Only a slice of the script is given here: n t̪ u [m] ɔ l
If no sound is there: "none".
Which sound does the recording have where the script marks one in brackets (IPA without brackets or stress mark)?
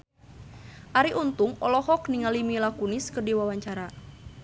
ŋ